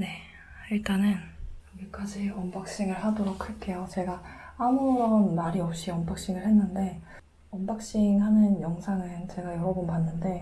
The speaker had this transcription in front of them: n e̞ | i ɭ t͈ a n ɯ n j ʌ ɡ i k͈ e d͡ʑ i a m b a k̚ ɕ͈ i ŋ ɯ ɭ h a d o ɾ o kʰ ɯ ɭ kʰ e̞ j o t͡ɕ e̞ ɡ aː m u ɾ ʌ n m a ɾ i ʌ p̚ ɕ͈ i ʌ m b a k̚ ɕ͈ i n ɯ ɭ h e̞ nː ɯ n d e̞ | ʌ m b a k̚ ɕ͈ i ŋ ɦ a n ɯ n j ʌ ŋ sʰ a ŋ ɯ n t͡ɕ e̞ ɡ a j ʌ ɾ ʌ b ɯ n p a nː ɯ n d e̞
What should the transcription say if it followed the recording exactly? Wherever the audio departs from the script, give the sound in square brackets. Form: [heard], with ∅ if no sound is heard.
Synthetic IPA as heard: n e̞ | i ɭ t͈ a n ɯ n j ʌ ɡ i k͈ [a] d͡ʑ i [ʌ] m b a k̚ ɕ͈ i ŋ ɯ ɭ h a d o ɾ o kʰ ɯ ɭ kʰ e̞ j o t͡ɕ e̞ ɡ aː m u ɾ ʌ n m a ɾ i ʌ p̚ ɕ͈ i ʌ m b a k̚ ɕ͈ i [ŋ] ɯ ɭ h e̞ nː ɯ n d e̞ | ʌ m b a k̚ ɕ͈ i ŋ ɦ a n ɯ n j ʌ ŋ sʰ a ŋ ɯ n t͡ɕ e̞ ɡ a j ʌ ɾ ʌ b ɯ n p a nː ɯ n d e̞